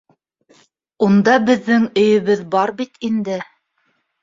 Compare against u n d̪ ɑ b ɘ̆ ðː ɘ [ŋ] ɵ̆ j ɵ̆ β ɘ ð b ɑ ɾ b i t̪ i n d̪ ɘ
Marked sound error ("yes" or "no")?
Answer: no